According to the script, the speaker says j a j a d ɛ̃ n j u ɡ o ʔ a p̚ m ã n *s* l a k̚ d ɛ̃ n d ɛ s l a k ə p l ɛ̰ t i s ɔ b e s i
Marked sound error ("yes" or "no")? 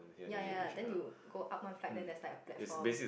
yes